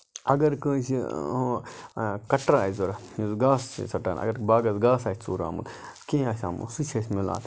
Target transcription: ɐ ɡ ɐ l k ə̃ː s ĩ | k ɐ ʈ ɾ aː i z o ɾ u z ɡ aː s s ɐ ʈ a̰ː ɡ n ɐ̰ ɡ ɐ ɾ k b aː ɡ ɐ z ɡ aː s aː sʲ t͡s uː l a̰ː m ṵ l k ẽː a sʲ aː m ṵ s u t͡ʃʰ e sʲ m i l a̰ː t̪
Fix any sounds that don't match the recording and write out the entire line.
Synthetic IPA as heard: ɐ ɡ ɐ ɾ k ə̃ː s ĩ | k ɐ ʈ ɾ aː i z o ɾ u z ɡ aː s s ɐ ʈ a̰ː n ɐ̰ ɡ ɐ ɾ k b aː ɡ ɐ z ɡ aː s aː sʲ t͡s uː ɾ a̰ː m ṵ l k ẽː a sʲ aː m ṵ s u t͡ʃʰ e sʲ m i l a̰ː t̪